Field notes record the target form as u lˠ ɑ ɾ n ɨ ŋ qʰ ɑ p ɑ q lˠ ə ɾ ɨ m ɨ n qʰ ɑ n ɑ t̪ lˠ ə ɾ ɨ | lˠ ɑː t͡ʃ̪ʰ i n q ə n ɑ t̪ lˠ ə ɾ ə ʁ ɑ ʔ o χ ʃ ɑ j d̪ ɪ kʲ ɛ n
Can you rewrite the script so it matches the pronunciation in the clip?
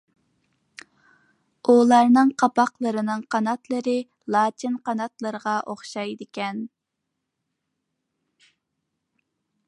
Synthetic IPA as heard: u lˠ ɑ ɾ n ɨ ŋ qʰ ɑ p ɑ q lˠ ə ɾ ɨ n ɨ ŋ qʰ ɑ n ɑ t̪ lˠ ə ɾ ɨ | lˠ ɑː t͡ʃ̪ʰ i n q ɑ n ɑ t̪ lˠ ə ɾ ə ʁ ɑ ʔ o χ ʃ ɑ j d̪ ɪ kʲ ɛ n